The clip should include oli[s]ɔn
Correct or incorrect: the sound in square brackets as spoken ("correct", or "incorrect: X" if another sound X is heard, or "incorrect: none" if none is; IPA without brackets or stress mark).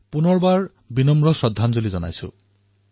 incorrect: z